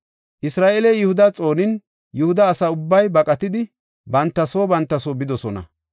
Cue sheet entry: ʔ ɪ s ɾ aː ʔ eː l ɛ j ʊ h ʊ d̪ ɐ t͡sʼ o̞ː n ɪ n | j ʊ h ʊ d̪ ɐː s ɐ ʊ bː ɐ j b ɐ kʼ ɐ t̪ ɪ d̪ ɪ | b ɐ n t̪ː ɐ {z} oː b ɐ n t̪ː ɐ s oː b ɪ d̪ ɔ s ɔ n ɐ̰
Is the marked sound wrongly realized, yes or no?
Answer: yes